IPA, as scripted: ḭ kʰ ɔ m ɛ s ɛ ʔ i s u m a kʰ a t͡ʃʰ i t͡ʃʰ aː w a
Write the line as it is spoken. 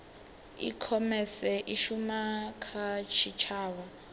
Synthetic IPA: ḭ kʰ ɔ m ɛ s ɛ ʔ i ʃ u m a kʰ a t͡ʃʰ i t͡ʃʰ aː w a